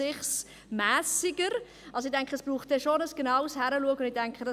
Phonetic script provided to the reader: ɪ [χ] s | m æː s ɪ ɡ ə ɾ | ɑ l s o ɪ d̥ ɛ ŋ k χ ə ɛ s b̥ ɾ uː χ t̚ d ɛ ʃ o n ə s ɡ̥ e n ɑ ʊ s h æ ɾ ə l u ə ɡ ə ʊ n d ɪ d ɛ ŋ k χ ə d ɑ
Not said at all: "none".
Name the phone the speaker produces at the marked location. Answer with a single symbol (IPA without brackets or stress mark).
χ